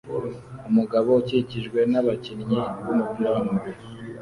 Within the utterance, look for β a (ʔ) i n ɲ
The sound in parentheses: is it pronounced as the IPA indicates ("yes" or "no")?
no